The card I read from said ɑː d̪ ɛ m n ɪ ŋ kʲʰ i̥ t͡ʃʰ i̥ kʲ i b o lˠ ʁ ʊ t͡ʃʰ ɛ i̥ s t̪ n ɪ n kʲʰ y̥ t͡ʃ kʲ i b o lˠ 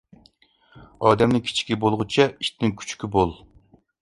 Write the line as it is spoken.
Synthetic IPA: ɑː d̪ ɛ m n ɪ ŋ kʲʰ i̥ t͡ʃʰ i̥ kʲ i b o lˠ ʁ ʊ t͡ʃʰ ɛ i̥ ʃ t̪ n ɪ ŋ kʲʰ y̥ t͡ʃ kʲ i b o lˠ